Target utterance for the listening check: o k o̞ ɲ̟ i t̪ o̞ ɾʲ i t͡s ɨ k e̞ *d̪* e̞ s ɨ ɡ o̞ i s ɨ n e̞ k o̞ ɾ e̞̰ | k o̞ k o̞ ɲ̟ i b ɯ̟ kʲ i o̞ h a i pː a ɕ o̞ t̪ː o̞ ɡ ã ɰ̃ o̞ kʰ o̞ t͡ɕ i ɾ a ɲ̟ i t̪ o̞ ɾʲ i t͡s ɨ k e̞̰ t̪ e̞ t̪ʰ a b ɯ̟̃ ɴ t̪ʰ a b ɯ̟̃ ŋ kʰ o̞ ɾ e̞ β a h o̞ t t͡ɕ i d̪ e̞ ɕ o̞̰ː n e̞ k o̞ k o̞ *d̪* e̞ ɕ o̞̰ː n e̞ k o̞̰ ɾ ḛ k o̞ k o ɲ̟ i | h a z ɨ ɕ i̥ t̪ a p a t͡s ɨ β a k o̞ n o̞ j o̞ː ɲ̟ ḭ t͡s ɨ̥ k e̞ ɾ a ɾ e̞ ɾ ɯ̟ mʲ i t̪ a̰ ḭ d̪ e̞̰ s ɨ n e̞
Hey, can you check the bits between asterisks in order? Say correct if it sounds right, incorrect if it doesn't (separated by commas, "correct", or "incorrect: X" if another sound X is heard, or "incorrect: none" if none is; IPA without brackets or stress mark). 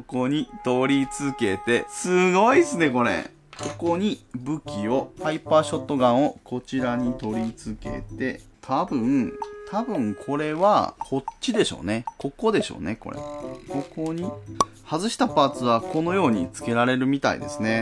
incorrect: t̪, correct